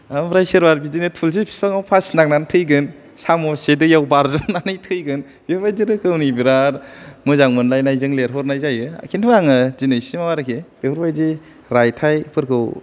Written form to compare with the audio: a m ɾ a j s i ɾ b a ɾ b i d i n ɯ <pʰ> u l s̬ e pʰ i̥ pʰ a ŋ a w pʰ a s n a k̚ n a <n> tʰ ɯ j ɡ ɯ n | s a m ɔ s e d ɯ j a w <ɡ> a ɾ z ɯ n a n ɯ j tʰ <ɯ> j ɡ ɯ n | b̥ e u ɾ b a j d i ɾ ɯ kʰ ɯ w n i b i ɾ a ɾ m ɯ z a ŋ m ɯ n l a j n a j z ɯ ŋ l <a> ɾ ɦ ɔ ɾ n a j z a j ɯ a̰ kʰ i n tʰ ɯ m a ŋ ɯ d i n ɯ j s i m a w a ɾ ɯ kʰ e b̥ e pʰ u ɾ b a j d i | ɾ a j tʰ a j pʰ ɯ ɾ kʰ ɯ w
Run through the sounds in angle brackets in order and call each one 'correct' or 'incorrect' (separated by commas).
incorrect, correct, incorrect, correct, incorrect